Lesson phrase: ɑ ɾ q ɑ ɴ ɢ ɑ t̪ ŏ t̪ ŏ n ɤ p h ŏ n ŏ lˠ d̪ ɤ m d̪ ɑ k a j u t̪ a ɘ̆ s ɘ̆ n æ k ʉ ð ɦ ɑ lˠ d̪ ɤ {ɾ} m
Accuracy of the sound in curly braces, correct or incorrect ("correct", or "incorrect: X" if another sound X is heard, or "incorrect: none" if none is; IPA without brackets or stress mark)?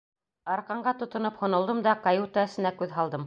incorrect: none